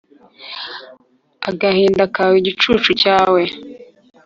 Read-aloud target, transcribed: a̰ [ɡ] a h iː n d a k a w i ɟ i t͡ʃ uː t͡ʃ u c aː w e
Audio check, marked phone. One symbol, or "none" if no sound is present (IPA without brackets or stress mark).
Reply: ɡ